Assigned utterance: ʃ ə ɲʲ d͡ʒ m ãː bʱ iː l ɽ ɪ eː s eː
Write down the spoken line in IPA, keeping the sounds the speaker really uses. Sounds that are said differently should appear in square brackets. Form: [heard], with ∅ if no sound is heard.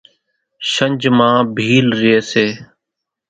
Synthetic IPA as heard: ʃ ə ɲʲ d͡ʒ m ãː bʱ iː l [ɾ] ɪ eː s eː